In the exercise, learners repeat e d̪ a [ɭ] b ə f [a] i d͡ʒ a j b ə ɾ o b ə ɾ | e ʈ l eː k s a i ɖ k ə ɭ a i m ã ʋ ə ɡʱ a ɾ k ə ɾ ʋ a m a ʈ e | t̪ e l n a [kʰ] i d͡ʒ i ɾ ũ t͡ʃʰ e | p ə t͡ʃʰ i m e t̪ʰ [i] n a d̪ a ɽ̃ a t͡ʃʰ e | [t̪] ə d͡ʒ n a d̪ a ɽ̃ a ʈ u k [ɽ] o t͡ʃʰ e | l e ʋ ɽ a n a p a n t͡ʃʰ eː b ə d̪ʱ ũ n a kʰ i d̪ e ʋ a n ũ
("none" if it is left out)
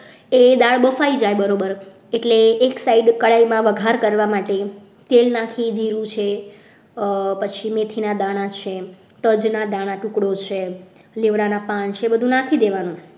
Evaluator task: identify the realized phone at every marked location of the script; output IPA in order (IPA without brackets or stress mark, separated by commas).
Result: ɭ, a, kʰ, i, t̪, ɽ